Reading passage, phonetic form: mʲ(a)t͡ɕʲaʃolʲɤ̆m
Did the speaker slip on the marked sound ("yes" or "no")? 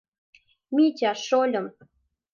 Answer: yes